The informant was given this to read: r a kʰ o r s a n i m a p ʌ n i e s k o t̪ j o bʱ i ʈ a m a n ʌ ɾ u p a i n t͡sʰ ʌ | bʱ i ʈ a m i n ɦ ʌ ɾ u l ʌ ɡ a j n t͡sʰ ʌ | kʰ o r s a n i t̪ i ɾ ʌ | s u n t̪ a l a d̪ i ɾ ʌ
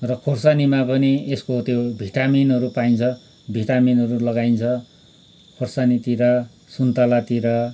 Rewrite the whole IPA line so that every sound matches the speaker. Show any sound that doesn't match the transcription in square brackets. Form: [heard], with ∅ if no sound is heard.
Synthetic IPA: r [ʌ] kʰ o r s a n i m a p ʌ n i e s k o t̪ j o bʱ i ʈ a m [i] n ʌ ɾ u p a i n t͡sʰ ʌ | bʱ i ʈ a m i n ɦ ʌ ɾ u l ʌ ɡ a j n t͡sʰ ʌ | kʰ o r s a n i t̪ i ɾ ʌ | s u n t̪ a l a [t̪] i ɾ ʌ